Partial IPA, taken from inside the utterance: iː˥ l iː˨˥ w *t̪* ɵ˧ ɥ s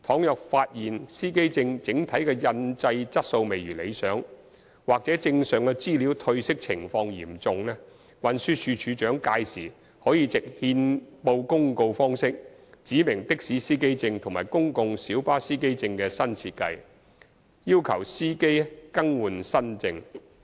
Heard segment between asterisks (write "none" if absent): t̪ʰ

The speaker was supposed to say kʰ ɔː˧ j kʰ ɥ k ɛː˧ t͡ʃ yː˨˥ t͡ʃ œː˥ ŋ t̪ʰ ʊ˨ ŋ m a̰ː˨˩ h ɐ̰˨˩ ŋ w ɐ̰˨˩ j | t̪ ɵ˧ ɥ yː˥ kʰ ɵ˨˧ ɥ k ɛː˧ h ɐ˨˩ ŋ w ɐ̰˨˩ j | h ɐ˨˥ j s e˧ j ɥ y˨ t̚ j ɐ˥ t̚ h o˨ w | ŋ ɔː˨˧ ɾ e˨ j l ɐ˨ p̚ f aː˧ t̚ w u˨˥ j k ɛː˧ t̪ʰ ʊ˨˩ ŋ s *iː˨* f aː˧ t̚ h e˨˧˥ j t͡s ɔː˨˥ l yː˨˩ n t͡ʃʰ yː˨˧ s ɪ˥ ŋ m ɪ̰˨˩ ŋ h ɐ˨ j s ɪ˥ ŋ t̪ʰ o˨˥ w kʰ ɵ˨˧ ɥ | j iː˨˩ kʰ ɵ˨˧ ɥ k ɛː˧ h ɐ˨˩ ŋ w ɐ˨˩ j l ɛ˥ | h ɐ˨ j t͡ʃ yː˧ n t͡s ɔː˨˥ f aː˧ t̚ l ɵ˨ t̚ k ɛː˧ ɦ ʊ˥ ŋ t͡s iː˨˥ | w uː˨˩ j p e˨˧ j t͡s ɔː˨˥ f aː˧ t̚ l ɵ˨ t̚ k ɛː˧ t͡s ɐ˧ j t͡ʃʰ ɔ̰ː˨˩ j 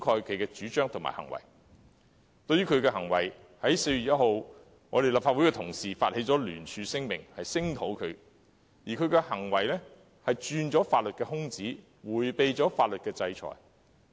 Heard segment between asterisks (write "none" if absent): iː˨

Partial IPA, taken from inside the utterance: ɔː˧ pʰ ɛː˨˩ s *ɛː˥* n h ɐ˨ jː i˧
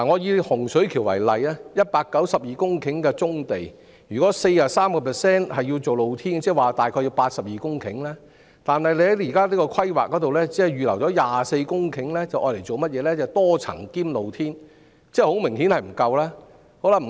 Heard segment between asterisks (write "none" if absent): ɛː˥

